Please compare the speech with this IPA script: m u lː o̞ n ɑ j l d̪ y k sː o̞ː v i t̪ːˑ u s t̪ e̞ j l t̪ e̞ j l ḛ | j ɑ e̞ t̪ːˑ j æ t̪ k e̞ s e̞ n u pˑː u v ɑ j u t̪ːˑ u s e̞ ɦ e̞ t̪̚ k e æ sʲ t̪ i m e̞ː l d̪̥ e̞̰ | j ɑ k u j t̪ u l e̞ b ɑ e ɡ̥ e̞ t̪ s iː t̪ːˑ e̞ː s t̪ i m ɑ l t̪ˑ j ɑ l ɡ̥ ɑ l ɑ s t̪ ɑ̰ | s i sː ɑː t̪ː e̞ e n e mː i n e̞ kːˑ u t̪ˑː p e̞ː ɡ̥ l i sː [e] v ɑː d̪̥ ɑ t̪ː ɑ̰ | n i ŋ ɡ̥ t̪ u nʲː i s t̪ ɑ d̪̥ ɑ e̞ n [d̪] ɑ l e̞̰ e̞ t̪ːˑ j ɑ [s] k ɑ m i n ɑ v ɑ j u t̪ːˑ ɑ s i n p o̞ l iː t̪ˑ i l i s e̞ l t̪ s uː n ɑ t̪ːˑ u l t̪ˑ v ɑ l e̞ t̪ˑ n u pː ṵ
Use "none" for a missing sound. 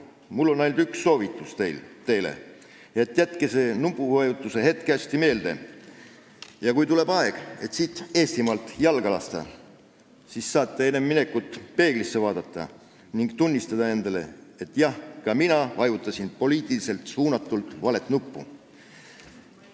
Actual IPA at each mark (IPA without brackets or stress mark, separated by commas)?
e, d̪, h